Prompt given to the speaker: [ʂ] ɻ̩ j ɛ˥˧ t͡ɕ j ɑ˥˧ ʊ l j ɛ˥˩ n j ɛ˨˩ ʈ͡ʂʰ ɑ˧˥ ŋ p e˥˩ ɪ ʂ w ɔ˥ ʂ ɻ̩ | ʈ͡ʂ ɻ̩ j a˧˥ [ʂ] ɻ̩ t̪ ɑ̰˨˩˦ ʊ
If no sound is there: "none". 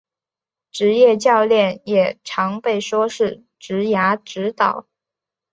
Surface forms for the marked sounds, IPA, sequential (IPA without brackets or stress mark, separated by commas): ʈ͡ʂ, ʈ͡ʂ